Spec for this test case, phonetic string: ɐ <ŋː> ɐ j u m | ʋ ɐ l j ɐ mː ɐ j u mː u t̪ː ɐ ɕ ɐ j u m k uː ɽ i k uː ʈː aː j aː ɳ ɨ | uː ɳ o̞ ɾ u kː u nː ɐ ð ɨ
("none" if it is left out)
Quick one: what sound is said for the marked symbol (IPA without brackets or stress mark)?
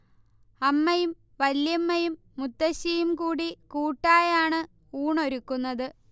mː